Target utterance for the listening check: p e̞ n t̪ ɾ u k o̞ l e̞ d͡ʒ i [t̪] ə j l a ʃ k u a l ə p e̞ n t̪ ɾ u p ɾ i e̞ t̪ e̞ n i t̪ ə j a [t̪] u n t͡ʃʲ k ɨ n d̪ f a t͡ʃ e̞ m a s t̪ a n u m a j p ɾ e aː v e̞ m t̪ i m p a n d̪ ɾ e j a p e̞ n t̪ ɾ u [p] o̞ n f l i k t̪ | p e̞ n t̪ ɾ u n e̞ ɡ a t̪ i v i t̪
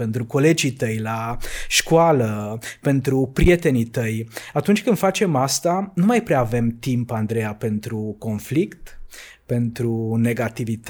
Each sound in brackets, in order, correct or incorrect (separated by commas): correct, correct, incorrect